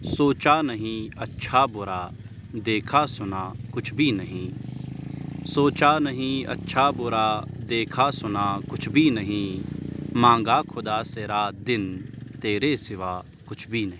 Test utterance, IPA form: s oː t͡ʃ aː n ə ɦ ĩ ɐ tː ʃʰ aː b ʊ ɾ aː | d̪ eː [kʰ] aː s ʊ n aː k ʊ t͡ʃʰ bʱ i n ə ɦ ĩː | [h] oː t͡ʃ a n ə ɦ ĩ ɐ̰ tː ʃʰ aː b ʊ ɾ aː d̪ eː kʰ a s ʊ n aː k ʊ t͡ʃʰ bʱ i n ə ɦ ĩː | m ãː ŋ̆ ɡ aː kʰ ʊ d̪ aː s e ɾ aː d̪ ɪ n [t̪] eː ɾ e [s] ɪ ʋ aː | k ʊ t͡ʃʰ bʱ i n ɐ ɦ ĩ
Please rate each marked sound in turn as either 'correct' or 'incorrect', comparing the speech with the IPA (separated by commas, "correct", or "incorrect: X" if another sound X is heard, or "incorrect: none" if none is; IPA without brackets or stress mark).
correct, incorrect: s, correct, correct